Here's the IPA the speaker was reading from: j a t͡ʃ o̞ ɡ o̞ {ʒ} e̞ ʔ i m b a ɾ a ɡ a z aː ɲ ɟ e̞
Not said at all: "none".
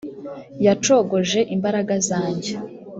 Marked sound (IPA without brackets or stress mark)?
ʒ